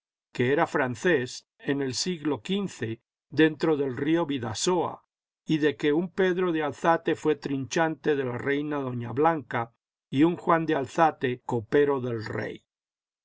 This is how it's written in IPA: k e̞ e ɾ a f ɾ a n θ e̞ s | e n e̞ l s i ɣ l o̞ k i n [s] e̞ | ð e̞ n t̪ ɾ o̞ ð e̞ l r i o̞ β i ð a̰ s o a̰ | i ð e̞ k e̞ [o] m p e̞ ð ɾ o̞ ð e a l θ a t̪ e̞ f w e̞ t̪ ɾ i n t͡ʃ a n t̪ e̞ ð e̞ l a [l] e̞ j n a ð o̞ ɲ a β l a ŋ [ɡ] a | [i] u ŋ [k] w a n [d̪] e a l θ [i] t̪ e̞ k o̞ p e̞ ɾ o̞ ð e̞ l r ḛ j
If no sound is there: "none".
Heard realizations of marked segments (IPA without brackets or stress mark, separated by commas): θ, u, r, k, i, x, d̪, a